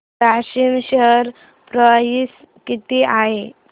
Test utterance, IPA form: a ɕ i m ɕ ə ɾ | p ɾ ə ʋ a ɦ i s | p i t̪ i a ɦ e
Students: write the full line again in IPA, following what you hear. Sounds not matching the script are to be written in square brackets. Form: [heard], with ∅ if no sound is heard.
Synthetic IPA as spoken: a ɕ i m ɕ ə ɾ | p ɾ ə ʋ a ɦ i s | [k] i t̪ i a ɦ e